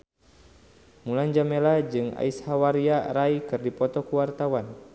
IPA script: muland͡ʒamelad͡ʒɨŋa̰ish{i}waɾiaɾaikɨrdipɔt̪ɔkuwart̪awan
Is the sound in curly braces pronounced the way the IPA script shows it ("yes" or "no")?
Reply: no